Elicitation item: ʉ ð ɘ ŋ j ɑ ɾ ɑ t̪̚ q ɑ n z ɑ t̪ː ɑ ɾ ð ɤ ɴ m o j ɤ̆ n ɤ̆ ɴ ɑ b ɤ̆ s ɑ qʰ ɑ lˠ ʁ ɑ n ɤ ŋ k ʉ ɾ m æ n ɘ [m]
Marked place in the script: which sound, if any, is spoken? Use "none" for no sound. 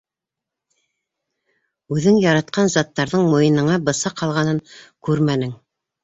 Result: ŋ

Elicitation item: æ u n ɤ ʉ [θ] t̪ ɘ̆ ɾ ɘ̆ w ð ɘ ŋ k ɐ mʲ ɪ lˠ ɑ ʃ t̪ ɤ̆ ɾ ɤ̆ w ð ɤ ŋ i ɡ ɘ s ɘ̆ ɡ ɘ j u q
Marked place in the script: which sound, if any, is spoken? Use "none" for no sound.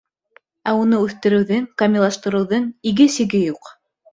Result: θ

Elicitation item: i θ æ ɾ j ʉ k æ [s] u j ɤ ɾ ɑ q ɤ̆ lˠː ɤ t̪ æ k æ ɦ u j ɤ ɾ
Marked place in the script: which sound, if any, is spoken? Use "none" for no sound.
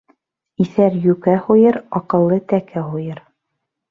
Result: h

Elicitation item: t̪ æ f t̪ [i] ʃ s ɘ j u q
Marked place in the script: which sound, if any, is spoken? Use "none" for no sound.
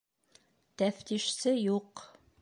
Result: i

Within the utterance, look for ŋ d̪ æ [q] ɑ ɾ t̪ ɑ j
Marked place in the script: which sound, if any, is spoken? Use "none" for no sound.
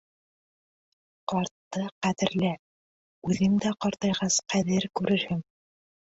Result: q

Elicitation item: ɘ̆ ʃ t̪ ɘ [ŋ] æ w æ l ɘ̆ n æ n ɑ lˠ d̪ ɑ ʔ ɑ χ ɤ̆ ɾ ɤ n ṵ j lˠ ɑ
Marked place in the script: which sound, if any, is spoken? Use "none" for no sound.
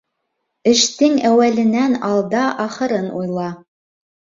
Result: ŋ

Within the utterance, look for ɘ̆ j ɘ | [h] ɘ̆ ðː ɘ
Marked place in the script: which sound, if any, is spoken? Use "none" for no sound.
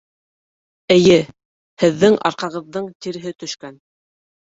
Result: h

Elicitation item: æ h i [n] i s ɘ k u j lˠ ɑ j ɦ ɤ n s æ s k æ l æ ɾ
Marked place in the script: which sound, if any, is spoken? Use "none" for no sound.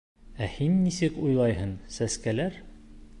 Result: nː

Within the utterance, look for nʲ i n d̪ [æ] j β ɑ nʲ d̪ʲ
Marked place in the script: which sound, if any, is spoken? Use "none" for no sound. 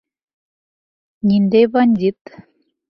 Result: e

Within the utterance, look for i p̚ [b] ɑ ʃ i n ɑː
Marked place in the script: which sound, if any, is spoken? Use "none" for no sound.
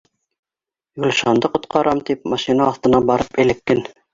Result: m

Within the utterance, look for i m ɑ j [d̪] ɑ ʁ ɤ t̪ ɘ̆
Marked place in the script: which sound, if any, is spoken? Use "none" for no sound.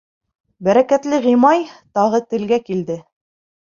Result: t̪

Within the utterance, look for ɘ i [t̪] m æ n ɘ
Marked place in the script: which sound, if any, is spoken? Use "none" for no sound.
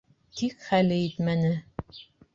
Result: t̪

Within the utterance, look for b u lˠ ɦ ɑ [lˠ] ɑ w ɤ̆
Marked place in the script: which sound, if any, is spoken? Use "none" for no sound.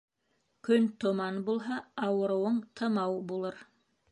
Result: none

